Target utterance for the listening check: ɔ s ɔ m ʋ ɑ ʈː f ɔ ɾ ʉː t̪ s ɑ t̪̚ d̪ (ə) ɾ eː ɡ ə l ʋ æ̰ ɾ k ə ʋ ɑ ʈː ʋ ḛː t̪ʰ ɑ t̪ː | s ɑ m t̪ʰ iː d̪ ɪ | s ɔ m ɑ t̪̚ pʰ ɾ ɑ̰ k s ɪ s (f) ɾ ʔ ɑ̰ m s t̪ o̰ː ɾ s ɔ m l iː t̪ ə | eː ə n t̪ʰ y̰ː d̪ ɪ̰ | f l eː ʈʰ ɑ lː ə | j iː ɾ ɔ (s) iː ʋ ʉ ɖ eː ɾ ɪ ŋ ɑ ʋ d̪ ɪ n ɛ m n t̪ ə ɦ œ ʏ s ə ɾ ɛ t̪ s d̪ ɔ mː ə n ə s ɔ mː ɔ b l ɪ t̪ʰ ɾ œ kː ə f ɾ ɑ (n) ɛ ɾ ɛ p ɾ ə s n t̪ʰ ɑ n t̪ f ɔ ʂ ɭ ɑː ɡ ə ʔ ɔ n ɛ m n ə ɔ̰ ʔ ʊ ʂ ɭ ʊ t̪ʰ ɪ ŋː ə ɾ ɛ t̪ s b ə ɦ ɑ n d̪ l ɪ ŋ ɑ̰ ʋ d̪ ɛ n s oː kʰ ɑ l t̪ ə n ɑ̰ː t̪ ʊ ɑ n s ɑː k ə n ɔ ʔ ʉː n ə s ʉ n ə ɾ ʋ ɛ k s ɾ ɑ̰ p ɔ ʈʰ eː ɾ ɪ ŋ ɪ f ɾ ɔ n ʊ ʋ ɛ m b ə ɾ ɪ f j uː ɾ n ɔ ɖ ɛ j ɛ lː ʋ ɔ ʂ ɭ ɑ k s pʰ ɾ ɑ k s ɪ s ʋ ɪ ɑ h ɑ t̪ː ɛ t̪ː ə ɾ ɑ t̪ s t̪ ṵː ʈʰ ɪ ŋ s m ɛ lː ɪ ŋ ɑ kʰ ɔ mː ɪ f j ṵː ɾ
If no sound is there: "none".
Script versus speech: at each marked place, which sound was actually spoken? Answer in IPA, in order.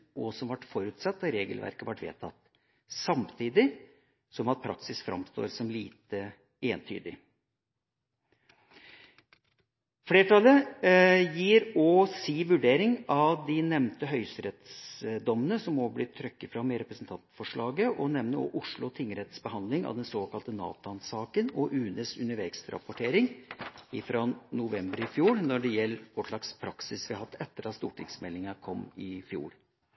ɑ, f, s, m

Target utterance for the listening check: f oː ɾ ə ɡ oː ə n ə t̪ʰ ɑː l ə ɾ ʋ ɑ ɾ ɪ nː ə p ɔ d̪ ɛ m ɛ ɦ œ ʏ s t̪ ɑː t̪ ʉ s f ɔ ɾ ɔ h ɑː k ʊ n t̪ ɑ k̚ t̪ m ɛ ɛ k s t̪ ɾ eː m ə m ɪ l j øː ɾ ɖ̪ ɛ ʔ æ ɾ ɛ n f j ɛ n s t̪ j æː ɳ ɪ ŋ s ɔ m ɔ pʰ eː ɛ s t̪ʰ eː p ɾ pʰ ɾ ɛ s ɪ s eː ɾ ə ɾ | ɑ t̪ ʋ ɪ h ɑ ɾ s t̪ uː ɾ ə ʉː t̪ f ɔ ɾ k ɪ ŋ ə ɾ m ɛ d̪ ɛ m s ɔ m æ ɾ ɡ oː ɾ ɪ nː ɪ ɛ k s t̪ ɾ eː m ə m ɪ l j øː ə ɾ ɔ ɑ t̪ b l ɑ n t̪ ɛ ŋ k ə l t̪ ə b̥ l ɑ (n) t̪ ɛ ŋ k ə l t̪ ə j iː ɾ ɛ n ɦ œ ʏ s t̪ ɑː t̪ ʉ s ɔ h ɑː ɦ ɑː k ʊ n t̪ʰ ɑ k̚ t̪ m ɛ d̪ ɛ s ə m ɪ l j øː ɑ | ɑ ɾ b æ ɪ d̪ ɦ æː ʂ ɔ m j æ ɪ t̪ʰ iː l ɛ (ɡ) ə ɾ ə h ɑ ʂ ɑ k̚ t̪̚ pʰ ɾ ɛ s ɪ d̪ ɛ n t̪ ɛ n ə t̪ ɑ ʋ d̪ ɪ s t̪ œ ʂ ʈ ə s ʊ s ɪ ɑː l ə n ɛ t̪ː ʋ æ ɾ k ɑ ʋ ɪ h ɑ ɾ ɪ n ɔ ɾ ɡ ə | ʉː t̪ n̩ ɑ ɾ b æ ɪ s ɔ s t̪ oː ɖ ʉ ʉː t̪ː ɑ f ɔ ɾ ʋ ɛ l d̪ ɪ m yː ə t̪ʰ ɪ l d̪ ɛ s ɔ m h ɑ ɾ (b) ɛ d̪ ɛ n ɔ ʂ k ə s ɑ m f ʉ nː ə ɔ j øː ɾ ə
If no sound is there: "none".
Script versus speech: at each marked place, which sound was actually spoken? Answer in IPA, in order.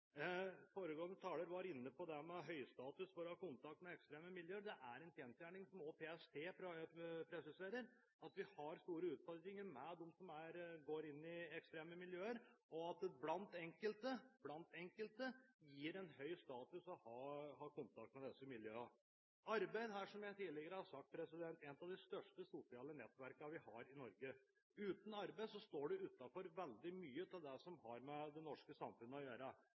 n, ɡ, m

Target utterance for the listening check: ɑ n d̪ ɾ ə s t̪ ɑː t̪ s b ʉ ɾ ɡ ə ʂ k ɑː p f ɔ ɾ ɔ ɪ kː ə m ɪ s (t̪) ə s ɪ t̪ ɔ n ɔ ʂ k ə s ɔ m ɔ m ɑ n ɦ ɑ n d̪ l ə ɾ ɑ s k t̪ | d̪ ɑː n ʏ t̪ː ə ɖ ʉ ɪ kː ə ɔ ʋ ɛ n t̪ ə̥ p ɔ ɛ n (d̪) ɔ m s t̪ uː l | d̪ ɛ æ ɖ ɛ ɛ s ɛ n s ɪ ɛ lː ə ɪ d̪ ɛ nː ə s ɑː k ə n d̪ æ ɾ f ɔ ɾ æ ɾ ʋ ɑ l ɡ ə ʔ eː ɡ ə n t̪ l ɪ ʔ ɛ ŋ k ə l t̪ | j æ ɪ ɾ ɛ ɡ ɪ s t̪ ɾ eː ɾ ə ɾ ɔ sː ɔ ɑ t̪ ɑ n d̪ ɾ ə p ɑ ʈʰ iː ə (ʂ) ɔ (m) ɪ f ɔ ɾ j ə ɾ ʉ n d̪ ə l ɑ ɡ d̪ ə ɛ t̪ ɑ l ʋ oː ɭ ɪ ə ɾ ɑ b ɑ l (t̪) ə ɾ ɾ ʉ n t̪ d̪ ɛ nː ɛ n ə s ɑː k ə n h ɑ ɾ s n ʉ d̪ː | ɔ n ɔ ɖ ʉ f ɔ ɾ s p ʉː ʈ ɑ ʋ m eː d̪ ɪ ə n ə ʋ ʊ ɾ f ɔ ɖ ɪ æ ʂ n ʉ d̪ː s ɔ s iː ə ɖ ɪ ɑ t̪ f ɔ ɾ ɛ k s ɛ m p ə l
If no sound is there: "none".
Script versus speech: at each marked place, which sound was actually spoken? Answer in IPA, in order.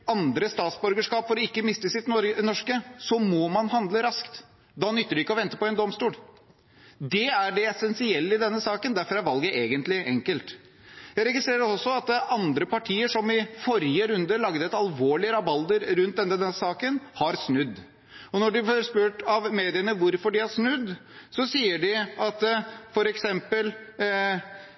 t̪, d̪, ʂ, m, d̪

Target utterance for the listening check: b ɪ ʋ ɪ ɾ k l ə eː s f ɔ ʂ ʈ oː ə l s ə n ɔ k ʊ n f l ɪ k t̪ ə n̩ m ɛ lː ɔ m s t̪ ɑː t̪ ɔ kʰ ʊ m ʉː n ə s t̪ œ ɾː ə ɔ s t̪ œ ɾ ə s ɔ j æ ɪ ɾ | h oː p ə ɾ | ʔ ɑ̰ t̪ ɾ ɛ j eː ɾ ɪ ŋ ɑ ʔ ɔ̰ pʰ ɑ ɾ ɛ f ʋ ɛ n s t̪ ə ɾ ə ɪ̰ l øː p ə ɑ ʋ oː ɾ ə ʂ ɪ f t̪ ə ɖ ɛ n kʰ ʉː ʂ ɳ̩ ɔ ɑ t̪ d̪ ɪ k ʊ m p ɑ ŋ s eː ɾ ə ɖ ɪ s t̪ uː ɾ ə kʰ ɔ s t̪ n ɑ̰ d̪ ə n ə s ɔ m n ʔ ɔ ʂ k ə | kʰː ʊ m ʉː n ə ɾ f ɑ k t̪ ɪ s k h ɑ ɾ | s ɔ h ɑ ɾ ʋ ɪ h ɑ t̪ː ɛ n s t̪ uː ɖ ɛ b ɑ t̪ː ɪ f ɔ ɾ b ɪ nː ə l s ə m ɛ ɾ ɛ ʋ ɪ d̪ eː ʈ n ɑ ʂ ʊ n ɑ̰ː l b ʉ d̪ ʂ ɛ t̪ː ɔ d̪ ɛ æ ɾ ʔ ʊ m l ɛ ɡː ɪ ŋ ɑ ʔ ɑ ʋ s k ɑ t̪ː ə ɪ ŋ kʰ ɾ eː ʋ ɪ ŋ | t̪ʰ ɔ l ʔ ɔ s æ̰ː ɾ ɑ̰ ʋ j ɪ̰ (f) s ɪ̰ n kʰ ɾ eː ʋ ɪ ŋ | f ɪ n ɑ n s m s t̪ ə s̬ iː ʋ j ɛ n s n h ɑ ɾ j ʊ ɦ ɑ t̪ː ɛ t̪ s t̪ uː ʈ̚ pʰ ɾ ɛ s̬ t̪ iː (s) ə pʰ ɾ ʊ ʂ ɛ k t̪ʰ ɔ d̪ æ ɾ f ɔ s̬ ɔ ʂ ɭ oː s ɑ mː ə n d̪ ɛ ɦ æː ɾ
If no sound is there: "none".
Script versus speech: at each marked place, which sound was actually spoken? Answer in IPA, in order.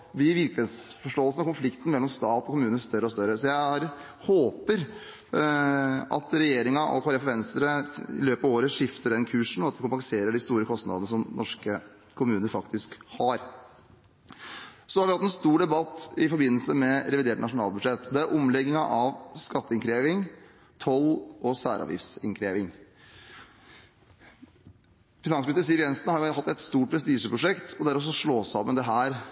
f, ʂ

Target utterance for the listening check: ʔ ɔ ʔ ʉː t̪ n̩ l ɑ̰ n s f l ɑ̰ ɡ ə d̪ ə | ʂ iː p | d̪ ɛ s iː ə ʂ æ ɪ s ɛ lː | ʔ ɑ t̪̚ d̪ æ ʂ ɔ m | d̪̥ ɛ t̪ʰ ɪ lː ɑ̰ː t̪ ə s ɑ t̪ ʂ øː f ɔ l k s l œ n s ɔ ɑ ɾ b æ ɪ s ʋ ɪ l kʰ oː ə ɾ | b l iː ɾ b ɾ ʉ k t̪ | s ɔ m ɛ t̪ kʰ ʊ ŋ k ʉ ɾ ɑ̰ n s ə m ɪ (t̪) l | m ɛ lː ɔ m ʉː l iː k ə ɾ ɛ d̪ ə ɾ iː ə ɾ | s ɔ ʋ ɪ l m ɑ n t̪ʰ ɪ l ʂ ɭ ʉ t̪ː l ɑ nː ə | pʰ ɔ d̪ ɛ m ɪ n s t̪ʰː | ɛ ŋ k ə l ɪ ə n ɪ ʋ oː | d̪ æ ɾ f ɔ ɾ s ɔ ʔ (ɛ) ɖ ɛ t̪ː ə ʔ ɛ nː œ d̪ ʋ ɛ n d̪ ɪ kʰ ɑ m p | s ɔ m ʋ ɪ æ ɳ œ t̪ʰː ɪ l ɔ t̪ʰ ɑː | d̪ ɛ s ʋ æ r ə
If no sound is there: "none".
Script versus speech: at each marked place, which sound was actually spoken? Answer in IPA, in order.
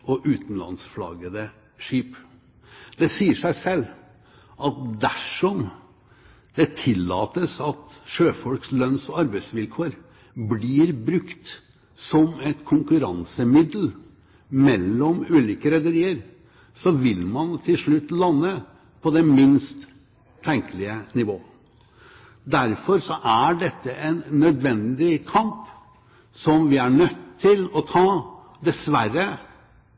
d̪, æ

